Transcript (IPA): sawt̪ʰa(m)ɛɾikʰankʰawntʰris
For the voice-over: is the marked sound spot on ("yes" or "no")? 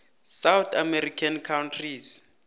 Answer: yes